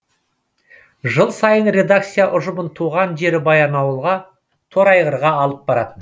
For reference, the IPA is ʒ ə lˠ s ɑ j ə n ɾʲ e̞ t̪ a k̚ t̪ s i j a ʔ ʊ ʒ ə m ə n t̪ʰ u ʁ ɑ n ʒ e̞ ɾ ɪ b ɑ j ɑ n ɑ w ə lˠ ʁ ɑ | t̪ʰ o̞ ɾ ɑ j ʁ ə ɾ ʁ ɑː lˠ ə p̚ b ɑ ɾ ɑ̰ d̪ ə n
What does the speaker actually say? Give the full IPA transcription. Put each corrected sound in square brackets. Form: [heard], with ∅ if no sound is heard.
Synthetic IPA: ʒ ə lˠ s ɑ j ə n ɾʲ e̞ [d̪] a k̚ t̪ s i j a ʔ ʊ ʒ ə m ə n t̪ʰ u ʁ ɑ n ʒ e̞ ɾ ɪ b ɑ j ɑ n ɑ w ə lˠ ʁ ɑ | t̪ʰ o̞ ɾ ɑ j ʁ ə ɾ ʁ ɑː lˠ ə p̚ b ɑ ɾ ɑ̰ [t̪] ə n